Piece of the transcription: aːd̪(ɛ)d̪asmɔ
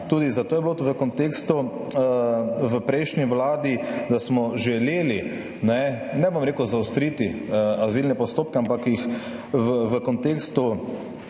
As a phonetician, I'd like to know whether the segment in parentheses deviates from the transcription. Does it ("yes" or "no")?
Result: yes